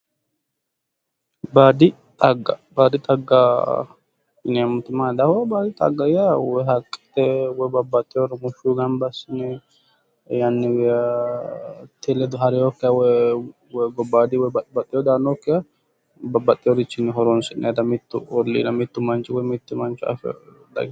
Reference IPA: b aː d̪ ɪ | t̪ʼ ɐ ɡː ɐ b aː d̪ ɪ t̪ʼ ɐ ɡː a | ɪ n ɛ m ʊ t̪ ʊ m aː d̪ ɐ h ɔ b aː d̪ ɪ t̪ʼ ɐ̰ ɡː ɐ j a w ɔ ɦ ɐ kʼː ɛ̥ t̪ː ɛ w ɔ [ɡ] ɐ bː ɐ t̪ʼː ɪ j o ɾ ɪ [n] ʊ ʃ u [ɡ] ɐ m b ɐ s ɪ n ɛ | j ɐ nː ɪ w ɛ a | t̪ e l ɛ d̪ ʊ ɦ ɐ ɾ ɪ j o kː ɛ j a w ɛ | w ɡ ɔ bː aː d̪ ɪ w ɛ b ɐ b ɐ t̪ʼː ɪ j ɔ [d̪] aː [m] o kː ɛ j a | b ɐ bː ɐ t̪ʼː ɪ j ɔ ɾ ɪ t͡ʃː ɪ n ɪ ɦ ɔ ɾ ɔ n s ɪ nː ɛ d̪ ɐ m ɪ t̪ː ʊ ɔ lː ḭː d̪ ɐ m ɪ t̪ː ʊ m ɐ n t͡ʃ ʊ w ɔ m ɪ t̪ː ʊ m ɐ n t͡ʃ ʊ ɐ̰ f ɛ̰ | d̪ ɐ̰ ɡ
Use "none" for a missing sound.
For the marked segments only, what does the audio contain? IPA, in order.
b, m, ɡ, d̪, n

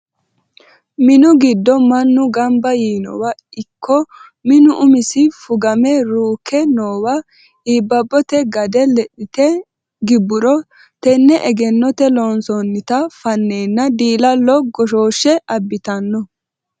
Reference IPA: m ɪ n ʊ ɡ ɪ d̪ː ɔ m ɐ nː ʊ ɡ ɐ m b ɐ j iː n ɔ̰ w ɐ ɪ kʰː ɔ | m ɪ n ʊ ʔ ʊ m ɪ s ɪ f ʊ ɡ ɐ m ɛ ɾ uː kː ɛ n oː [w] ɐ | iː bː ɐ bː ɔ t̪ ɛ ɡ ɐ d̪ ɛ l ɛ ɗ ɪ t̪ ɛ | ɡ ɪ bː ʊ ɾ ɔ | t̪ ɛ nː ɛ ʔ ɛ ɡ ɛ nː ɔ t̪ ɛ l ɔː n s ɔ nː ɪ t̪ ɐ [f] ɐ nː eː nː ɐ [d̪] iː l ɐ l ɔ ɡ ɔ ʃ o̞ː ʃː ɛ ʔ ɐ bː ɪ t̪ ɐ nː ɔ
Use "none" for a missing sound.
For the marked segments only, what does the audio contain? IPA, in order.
w, f, d̪

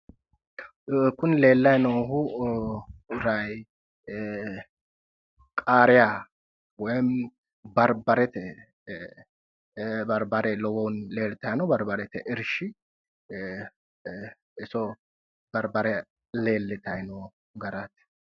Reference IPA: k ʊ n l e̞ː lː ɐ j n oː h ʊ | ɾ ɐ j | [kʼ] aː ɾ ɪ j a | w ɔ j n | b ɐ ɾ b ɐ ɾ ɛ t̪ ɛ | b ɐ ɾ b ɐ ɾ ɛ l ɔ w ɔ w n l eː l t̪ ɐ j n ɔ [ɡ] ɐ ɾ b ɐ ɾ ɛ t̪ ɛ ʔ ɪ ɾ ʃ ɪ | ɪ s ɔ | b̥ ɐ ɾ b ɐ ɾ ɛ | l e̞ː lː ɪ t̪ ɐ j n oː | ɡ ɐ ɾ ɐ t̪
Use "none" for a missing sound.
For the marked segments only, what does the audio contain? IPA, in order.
kʼ, b

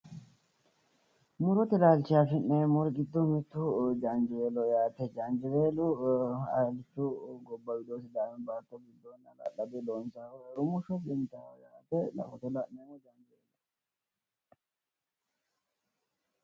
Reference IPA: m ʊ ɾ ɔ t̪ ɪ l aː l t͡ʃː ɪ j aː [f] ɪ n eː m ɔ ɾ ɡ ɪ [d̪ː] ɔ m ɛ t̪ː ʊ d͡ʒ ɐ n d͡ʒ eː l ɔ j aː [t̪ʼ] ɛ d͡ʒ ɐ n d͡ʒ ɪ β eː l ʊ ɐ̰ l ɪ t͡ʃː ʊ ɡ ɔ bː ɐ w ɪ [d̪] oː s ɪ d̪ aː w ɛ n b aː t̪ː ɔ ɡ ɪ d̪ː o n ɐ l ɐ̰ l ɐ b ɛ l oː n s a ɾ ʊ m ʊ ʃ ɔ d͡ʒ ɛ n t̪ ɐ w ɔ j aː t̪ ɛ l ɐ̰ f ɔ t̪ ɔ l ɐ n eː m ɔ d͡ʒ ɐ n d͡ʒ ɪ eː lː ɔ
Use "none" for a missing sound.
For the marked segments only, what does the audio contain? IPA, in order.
f, d̪ː, t̪, d̪

